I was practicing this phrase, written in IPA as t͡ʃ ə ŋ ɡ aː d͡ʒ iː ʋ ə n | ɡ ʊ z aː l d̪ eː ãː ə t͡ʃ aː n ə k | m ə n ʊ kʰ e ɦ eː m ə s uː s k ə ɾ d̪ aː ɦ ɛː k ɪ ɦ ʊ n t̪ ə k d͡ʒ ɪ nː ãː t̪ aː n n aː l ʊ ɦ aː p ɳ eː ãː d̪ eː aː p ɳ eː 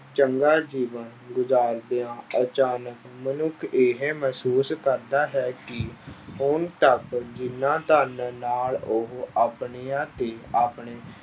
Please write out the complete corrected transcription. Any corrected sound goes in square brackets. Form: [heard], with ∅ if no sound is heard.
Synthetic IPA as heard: t͡ʃ ə ŋ ɡ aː d͡ʒ iː ʋ ə n | ɡ ʊ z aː [ɾ] d̪ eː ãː ə t͡ʃ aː n ə k | m ə n ʊ kʰ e ɦ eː m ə s uː s k ə ɾ d̪ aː ɦ ɛː k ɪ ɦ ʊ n t̪ ə k d͡ʒ ɪ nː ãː t̪ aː n n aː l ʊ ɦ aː p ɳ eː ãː [t̪] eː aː p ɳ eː